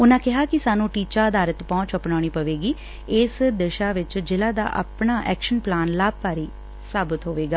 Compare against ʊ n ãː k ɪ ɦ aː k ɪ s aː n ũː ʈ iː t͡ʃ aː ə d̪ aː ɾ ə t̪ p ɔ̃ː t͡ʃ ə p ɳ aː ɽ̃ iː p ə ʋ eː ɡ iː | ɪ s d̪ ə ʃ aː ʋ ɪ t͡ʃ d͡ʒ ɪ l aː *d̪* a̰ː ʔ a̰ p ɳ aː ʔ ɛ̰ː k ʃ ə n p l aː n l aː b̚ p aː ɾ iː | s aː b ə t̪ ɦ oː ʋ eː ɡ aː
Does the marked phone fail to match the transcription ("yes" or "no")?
no